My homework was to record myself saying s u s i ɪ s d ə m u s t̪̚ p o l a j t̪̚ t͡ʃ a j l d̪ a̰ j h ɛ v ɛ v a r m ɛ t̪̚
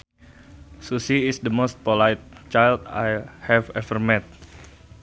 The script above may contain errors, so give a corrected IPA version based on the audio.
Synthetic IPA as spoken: s u s i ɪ s d ə m o s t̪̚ p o l a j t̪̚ t͡ʃ a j l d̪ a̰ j h ɛ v ɛ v ə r m ɛ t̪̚